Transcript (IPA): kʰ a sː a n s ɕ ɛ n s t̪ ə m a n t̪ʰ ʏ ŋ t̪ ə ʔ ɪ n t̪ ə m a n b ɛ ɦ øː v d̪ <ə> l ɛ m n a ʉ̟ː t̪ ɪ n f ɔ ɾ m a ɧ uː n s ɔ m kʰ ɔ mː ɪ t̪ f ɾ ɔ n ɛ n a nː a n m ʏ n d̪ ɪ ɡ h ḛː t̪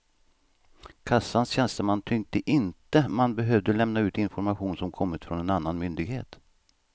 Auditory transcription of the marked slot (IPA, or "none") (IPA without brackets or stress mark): ə